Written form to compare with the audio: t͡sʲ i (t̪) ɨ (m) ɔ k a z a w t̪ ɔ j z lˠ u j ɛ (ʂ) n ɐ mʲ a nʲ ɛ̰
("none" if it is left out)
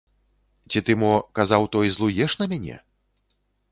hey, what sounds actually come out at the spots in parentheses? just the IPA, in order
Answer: t̪, m, ʂ

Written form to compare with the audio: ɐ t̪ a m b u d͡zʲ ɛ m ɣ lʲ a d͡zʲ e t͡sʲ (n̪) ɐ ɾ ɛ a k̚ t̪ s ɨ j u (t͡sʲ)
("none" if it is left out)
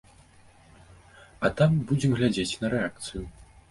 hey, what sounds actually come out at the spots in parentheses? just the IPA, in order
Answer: n̪, none

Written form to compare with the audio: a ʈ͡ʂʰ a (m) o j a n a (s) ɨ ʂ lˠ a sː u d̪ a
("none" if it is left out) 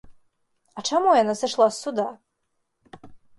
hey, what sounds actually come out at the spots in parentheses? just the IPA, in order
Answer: m, s

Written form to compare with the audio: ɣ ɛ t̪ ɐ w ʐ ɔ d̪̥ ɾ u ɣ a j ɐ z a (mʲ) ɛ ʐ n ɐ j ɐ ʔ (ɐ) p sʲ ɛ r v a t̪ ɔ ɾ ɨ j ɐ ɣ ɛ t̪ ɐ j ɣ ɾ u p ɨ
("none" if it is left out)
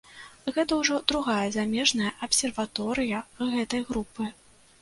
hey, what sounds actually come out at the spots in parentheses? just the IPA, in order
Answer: mʲ, ɐ

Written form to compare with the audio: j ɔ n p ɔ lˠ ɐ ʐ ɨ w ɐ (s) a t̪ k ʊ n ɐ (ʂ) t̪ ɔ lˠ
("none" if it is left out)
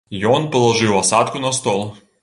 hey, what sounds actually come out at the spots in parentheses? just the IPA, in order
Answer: s, s

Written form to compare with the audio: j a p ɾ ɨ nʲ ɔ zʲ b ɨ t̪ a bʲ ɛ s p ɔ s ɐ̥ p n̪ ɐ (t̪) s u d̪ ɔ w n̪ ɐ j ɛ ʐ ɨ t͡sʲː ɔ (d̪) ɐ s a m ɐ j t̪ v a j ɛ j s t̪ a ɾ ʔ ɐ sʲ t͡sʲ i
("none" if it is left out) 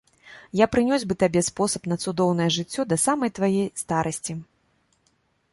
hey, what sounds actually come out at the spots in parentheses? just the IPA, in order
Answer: t̪, d̪

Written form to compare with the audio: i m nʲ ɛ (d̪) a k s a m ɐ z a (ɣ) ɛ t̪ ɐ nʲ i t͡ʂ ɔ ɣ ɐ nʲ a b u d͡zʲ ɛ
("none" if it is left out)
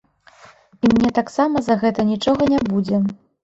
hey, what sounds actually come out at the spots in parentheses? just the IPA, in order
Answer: t̪, ɣ

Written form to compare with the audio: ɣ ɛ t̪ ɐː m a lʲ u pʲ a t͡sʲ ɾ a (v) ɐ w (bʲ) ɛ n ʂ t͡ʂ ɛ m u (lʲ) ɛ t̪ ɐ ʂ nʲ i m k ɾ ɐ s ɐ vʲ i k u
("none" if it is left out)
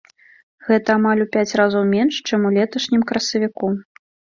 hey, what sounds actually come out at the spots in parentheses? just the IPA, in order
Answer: z, mʲ, lʲ

